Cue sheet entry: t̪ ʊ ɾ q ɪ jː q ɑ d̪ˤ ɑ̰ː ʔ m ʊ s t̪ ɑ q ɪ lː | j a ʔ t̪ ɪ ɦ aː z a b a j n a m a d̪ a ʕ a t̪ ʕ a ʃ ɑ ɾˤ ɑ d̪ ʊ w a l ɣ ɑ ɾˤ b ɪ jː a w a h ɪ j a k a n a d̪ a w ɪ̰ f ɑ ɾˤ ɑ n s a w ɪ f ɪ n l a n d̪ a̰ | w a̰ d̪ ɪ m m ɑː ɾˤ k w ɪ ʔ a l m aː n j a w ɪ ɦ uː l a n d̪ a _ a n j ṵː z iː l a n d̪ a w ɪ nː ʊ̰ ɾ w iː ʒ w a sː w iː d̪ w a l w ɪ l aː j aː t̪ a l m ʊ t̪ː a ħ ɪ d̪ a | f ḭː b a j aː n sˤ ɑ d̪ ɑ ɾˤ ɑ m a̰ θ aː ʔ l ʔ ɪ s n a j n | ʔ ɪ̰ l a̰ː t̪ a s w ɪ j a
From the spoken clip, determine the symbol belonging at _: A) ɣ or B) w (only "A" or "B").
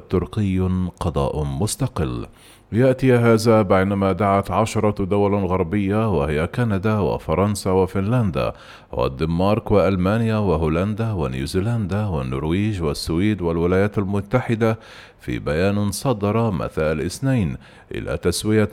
B